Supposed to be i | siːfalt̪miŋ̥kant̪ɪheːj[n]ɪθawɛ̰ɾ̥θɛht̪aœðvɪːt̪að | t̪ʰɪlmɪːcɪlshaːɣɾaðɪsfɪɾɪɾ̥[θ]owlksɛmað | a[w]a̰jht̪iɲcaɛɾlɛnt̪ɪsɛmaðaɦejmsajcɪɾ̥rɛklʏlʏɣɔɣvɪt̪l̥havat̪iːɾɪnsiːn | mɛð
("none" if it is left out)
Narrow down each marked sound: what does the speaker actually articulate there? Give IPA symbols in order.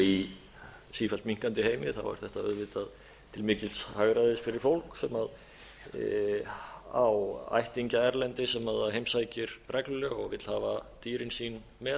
m, f, w

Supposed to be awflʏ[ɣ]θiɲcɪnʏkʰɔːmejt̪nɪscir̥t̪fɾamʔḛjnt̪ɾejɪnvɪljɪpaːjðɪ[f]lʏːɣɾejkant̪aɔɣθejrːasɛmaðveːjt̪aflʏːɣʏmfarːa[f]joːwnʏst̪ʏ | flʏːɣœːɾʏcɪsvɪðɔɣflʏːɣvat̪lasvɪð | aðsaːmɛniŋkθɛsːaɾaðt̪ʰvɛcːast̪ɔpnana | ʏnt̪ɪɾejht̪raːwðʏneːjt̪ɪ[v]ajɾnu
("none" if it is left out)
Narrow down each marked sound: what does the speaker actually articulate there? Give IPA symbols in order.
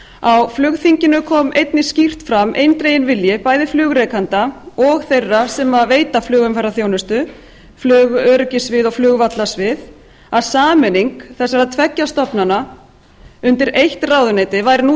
ɣ, f, θ, v

